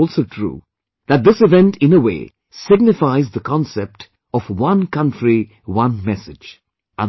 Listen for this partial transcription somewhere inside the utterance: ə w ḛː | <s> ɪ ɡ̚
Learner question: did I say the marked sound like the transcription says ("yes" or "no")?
yes